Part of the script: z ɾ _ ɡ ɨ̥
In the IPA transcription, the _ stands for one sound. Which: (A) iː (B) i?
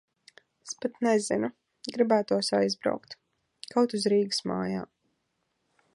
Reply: A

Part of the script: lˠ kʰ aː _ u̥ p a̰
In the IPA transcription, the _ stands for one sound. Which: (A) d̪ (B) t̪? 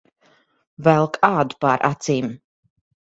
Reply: A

